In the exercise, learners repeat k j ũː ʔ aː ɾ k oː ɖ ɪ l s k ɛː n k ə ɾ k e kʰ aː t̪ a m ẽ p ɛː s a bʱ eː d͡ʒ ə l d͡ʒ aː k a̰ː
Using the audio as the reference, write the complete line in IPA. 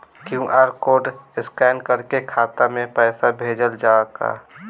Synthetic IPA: k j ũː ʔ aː ɾ k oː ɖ ɪ s k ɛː n k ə ɾ k e kʰ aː t̪ a m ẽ p ɛː s a bʱ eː d͡ʒ ə l d͡ʒ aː k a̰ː